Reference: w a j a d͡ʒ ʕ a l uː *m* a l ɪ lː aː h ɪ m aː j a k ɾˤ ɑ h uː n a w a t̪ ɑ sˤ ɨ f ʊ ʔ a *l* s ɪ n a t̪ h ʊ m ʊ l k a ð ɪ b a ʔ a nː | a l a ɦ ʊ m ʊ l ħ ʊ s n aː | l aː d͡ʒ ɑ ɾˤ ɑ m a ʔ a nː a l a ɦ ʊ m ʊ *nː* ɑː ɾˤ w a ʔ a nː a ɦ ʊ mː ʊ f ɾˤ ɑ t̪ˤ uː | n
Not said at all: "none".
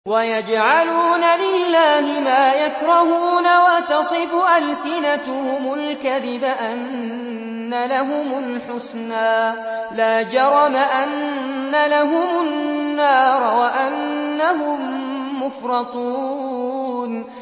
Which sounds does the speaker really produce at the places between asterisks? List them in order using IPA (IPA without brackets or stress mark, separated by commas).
n, l, nː